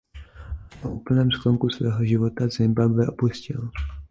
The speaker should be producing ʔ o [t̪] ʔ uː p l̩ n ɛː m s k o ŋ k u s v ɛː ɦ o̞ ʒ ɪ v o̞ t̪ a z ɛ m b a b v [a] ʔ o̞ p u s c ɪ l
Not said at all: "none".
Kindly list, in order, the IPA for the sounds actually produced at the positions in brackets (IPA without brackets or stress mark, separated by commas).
none, ɛ